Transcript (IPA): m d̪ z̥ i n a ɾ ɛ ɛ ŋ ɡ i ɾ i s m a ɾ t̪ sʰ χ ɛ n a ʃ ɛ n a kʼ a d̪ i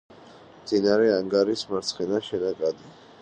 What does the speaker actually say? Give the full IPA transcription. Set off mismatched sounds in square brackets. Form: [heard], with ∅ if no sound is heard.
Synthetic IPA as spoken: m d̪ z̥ i n a ɾ ɛ [a] ŋ ɡ [a] ɾ i s m a ɾ t̪ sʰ χ ɛ n a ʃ ɛ n a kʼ a d̪ i